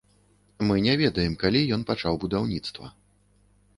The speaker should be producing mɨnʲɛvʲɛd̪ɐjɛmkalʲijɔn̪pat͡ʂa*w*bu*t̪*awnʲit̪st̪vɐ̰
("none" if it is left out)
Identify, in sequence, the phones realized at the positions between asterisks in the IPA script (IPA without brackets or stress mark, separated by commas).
w, d̪